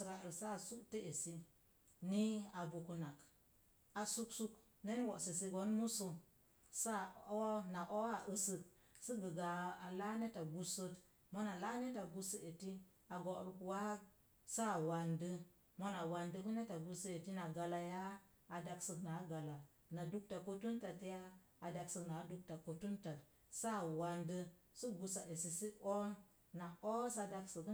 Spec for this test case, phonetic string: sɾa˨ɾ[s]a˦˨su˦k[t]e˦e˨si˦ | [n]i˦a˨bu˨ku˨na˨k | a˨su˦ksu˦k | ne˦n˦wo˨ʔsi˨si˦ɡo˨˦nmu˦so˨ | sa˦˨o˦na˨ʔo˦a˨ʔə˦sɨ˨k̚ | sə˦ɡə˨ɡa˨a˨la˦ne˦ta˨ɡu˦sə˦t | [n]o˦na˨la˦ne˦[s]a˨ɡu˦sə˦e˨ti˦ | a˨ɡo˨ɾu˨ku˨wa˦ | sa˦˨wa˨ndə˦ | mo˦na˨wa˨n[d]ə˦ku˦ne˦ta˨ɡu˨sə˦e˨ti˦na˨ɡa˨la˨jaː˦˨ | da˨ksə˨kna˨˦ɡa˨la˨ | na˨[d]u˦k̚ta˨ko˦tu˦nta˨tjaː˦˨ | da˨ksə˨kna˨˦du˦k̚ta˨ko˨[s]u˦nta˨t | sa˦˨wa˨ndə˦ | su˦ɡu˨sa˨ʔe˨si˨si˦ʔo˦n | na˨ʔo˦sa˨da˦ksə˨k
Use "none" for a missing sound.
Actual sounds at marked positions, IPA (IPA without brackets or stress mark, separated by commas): s, t, n, m, t, d, d, t